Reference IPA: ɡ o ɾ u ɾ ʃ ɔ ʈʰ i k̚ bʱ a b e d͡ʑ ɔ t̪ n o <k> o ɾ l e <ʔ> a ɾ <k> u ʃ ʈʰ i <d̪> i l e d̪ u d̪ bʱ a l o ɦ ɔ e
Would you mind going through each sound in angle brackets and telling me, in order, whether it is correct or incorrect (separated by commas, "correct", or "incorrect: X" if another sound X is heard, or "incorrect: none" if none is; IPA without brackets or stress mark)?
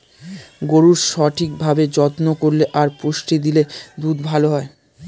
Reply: correct, correct, incorrect: p, correct